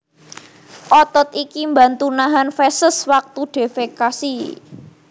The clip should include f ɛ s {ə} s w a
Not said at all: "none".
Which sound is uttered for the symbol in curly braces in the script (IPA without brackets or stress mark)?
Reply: ə